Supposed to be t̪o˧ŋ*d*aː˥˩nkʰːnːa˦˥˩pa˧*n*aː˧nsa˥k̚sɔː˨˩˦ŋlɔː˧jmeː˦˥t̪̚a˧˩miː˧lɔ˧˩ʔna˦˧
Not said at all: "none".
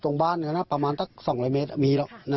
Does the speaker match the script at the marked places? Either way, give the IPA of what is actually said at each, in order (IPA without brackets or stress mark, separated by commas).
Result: b, m